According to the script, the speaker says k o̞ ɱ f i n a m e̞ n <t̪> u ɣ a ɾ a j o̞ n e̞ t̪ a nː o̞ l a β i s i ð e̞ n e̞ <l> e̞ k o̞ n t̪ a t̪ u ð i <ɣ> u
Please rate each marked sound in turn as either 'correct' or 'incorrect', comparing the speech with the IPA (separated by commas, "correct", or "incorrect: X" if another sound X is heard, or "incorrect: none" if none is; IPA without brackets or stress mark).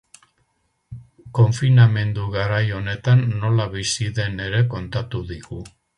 incorrect: d̪, incorrect: ɾ, correct